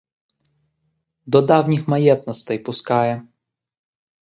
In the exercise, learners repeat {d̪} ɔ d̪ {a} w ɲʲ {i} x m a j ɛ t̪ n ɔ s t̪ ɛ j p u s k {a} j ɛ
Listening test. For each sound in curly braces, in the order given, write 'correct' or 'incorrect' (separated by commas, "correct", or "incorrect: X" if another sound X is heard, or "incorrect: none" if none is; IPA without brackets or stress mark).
correct, correct, correct, correct